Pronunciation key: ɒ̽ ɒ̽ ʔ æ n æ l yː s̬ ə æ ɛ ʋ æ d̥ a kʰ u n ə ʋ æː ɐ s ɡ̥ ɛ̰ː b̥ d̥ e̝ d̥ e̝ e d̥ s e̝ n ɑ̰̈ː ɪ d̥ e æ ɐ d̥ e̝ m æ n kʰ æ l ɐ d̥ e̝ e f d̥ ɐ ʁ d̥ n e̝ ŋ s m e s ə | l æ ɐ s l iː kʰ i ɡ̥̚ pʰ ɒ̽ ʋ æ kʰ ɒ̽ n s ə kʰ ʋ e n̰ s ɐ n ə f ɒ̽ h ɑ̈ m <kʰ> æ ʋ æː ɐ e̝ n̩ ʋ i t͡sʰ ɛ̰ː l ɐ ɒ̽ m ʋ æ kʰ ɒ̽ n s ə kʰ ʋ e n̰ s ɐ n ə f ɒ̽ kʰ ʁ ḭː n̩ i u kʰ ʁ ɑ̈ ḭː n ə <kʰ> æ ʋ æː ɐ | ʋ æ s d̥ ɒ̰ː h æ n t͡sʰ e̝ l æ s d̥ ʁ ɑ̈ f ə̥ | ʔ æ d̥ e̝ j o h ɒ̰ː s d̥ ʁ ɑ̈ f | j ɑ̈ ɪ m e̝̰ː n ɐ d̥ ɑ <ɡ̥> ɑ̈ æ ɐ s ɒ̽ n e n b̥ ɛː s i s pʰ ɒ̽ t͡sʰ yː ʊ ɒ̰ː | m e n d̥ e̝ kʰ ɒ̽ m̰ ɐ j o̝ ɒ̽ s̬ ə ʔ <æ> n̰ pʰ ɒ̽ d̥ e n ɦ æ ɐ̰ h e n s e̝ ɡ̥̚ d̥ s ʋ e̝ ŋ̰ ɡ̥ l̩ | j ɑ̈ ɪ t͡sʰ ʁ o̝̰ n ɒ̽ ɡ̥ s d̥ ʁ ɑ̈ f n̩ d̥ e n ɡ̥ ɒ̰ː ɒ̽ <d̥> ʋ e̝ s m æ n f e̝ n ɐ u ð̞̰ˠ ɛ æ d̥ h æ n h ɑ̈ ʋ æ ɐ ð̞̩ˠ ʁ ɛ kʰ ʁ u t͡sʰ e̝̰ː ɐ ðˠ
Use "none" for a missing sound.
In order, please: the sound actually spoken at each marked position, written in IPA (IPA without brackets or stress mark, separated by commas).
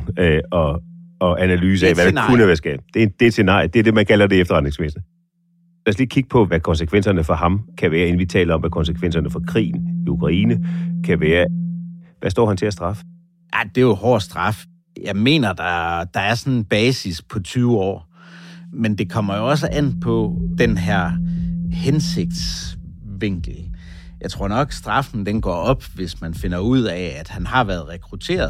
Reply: kʰ, kʰ, d̥, æ, b̥